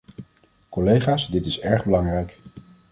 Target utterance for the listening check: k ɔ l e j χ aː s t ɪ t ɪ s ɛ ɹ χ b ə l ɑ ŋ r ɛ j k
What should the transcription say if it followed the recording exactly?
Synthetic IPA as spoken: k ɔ l e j χ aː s d ɪ t ɪ s ɛ ɹ χ b ə l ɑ ŋ r ɛ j k